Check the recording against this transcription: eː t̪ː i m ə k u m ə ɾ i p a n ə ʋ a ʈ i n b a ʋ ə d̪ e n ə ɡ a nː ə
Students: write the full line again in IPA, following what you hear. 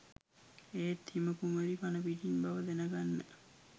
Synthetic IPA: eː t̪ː i m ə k u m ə ɾ i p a n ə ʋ i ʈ i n b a ʋ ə d̪ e n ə ɡ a nː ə